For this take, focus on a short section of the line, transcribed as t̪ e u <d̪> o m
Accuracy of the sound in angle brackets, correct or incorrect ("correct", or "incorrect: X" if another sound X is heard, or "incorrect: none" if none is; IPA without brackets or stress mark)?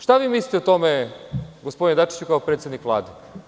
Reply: incorrect: t̪